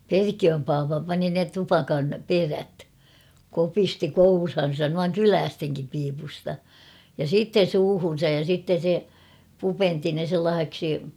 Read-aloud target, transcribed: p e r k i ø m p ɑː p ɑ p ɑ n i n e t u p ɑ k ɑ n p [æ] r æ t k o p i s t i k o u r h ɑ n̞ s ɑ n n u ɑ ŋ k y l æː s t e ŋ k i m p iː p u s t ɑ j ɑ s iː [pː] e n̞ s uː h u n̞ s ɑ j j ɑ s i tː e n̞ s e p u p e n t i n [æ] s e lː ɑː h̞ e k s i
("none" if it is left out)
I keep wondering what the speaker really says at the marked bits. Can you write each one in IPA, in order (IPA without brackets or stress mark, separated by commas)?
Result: e, tː, e